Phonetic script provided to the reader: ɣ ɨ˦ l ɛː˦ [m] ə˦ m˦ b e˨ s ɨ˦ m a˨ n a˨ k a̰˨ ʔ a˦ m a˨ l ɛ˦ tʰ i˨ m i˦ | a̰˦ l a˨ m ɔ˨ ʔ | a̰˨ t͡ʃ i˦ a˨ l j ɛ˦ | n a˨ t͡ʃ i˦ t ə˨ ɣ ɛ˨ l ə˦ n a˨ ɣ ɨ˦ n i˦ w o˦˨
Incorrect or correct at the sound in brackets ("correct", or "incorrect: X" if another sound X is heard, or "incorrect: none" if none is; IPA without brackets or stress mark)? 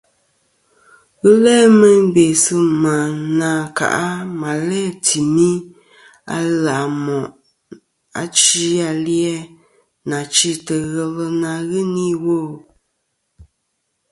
correct